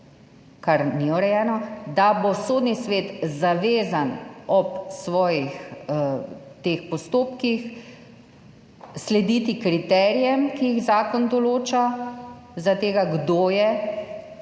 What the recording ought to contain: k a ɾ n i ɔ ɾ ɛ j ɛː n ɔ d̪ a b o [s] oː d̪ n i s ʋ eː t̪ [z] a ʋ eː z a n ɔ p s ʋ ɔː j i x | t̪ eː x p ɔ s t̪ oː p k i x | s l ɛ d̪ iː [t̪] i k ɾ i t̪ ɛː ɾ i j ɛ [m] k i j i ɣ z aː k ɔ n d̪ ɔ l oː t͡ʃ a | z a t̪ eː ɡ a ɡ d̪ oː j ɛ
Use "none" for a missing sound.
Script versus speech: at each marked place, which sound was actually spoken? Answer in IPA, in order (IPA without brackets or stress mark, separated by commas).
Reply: s, z, t̪, m